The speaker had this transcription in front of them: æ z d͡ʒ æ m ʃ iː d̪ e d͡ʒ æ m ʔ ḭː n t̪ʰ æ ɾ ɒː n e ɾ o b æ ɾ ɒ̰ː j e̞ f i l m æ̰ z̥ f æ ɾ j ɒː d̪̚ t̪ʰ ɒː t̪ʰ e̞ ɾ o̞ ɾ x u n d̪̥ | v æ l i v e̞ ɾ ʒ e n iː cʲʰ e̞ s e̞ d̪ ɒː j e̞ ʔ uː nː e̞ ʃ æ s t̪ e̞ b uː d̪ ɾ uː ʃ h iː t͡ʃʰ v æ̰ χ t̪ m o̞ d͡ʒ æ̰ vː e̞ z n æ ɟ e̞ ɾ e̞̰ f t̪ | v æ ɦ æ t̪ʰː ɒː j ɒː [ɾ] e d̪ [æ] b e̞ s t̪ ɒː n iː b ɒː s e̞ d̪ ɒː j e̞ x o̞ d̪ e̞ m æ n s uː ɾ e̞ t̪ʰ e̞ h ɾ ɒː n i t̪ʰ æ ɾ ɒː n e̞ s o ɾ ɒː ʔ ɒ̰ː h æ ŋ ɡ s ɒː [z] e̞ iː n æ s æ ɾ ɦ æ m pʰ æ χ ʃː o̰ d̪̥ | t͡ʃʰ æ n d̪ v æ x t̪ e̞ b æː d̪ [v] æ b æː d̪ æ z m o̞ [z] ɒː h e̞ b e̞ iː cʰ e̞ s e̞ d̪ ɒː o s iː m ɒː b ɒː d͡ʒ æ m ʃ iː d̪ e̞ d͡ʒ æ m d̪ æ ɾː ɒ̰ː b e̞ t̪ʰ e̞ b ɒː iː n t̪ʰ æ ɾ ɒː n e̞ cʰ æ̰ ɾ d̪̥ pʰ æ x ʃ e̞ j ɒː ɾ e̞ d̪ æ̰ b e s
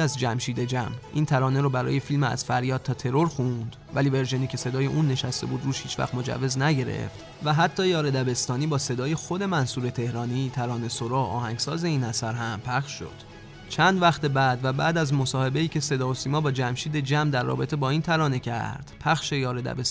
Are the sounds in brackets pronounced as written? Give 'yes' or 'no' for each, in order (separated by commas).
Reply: yes, yes, yes, yes, no